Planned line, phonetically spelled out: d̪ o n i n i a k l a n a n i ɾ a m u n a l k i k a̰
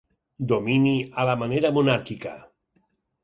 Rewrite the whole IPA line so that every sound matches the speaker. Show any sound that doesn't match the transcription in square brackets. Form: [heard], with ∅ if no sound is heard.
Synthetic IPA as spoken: d̪ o [m] i n i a [∅] l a [m] a n [e] ɾ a m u n a [ɾ] k i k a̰